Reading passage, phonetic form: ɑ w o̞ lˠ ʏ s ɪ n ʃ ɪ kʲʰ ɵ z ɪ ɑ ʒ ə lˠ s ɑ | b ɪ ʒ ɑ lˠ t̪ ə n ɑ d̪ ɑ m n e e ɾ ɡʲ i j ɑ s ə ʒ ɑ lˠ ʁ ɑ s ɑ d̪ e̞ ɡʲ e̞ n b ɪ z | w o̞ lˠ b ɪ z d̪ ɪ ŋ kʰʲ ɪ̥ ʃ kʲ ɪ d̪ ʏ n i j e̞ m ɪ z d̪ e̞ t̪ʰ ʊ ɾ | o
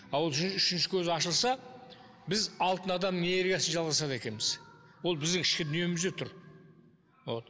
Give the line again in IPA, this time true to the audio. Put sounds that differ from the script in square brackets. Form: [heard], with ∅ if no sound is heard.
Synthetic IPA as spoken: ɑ w o̞ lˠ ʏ [ʃ] ɪ n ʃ ɪ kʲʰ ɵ z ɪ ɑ [ʃ] ə lˠ s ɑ | b ɪ [z] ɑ lˠ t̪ ə n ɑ d̪ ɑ m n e e ɾ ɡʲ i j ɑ s ə ʒ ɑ lˠ ʁ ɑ s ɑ d̪ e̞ [kʲ] e̞ n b ɪ z | w o̞ lˠ b ɪ z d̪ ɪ ŋ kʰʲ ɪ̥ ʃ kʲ ɪ d̪ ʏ n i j e̞ m ɪ z d̪ e̞ t̪ʰ ʊ ɾ | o